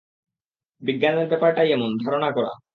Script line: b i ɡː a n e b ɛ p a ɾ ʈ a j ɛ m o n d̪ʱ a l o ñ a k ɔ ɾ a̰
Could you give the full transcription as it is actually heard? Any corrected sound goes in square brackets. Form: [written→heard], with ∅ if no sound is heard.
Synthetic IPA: b i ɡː a n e b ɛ p a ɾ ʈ a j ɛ m o n d̪ʱ a [l→ɾ] o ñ a k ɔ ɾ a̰